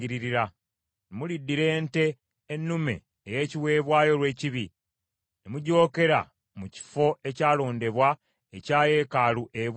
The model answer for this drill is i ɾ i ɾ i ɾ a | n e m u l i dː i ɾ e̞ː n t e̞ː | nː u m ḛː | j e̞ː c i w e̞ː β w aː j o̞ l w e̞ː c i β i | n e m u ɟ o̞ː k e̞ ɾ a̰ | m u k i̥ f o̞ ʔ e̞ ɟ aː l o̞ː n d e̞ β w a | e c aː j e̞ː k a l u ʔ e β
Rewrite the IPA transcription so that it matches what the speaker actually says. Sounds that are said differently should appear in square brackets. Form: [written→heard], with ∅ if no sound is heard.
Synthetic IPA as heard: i ɾ i ɾ i ɾ a | n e m u l i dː i ɾ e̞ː n t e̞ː | nː u m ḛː | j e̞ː c i w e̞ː β w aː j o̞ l w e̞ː c i β i | n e m u ɟ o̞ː k e̞ ɾ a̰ | m u [k→c] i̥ f o̞ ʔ e̞ [ɟ→c] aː l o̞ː n d e̞ β w a | e c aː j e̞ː k a l u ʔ e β